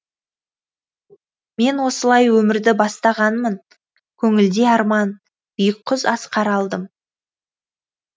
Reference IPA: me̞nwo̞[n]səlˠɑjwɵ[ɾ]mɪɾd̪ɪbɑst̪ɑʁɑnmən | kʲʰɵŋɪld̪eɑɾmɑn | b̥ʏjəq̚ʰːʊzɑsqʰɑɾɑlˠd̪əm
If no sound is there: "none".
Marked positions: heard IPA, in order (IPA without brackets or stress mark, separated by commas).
none, none